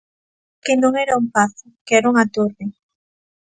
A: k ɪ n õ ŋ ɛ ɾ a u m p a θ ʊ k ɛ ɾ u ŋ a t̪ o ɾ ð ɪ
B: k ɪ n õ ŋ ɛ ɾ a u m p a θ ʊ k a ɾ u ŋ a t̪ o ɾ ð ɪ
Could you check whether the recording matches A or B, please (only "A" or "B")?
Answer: A